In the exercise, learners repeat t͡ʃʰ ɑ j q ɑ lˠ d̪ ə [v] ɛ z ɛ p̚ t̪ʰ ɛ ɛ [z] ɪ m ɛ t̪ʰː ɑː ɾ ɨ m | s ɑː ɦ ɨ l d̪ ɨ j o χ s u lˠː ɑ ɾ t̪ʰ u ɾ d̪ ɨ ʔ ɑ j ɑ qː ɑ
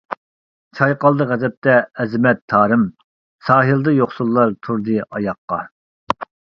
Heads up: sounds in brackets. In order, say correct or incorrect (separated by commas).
incorrect, correct